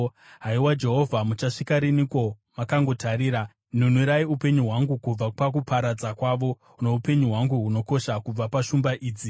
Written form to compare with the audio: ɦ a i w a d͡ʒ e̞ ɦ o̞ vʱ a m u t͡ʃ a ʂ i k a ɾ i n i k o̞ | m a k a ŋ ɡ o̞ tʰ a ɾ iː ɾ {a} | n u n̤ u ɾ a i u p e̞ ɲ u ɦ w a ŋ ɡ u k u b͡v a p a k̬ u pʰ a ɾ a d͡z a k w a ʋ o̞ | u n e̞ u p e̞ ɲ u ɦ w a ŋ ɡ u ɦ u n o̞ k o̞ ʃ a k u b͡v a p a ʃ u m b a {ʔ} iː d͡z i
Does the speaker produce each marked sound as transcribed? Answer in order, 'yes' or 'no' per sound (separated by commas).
yes, yes